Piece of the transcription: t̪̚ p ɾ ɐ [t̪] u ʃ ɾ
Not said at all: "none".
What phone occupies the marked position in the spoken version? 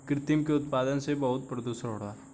d̪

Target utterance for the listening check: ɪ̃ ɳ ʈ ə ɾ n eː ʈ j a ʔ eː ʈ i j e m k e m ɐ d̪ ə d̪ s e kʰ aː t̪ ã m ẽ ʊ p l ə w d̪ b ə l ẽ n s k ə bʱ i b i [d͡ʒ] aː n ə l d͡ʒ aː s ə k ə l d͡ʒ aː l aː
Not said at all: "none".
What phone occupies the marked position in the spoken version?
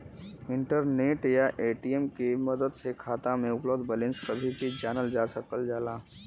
d͡ʒ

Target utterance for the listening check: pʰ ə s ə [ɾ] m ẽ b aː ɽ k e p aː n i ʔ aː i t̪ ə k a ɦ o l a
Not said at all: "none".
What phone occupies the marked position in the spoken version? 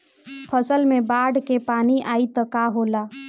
l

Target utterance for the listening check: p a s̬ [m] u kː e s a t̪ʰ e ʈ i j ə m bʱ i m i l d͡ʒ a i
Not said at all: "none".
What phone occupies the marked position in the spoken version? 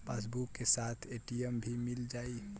b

